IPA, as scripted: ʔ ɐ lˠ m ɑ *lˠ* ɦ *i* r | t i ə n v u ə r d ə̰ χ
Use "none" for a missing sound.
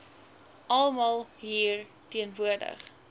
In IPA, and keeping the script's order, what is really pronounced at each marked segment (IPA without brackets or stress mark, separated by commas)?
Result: lˠ, iː